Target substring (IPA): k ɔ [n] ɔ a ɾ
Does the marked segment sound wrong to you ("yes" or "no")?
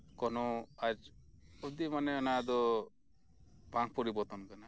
no